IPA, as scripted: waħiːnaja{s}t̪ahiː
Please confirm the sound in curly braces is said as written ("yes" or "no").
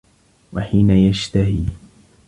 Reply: no